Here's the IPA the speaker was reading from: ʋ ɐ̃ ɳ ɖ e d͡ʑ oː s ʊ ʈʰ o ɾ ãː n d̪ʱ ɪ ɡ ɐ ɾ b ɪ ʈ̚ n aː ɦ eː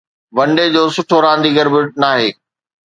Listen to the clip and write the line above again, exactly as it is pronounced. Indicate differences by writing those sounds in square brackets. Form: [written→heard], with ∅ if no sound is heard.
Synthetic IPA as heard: ʋ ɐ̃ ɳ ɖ e d͡ʑ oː s ʊ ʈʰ o ɾ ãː n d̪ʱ [ɪ→i] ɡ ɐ ɾ b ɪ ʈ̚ n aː ɦ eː